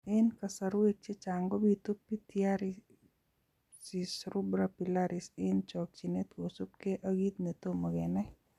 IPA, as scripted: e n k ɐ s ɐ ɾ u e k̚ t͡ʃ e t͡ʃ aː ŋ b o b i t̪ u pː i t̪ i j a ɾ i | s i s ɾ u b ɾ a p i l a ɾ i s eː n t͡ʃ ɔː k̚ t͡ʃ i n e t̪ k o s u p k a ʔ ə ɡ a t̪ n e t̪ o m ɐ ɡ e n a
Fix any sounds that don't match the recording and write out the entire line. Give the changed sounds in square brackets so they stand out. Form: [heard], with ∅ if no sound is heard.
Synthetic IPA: e n k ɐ s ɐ ɾ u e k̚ t͡ʃ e t͡ʃ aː ŋ [ɡ] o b i t̪ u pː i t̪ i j a ɾ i | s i s ɾ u b ɾ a p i l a ɾ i s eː n t͡ʃ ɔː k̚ t͡ʃ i n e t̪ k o s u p k [e] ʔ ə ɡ [i] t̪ n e t̪ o m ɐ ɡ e n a